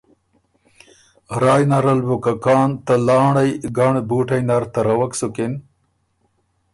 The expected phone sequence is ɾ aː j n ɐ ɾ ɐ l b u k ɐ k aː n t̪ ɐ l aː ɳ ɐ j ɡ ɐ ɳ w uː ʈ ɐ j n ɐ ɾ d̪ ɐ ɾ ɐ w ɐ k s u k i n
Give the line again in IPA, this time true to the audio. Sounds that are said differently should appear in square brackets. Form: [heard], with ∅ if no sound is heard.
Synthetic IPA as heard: ɾ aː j n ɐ ɾ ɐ l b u k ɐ k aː n t̪ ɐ l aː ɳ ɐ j ɡ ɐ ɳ [b] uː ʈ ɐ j n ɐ ɾ [t̪] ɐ ɾ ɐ w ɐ k s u k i n